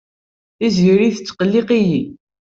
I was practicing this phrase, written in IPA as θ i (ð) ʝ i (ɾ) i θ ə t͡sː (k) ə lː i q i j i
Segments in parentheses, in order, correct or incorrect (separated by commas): incorrect, correct, incorrect